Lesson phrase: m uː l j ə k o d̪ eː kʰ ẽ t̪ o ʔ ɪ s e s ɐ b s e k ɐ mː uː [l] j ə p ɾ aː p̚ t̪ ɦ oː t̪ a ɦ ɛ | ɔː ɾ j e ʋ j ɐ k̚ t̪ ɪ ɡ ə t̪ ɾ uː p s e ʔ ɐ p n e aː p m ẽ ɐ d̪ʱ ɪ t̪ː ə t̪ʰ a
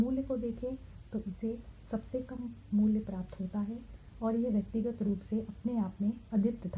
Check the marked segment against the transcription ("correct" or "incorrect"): correct